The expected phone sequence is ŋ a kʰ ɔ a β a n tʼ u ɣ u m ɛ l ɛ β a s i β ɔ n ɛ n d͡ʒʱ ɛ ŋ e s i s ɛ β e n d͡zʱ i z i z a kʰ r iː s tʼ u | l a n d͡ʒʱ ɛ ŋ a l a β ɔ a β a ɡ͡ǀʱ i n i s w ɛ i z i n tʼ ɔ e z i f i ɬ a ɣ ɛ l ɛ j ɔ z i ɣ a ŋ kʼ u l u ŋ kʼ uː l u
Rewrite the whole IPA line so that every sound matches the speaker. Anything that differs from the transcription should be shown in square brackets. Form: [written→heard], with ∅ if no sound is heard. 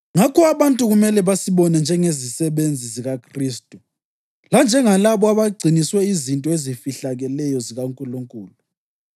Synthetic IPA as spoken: ŋ a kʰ ɔ a β a n tʼ u ɣ u m ɛ l ɛ β a s i β ɔ n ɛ n d͡ʒʱ ɛ ŋ e [s→z] i s ɛ β e n d͡zʱ i z i [z→ɣ] a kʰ r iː s tʼ u | l a n d͡ʒʱ ɛ ŋ a l a β ɔ a β a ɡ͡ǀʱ i n i s w ɛ i z i n tʼ ɔ e z i f i ɬ a ɣ ɛ l ɛ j ɔ z i ɣ a ŋ kʼ u l u ŋ kʼ uː l u